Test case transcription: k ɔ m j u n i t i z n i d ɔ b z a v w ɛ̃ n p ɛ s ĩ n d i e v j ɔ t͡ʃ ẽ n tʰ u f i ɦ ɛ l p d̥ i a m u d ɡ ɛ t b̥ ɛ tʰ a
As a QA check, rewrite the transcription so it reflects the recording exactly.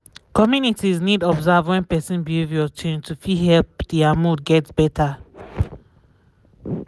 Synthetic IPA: k ɔ m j u n i t i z n i d ɔ b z a v w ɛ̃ n p ɛ s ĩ n b i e v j ɔ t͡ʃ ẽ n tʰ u f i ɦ ɛ l p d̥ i a m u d ɡ ɛ t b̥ ɛ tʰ a